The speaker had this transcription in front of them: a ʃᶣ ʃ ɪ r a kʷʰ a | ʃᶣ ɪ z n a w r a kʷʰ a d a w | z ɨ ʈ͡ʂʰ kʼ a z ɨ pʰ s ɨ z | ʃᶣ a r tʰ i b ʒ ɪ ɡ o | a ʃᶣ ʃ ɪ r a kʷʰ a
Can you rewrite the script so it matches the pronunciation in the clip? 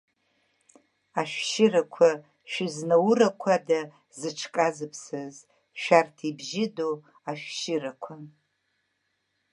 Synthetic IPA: a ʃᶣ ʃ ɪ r a kʷʰ a | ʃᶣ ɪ z n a w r a kʷʰ a d a | z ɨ ʈ͡ʂʰ kʼ a z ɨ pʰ s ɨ z | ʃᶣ a r tʰ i b ʒ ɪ d o | a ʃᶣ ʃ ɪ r a kʷʰ a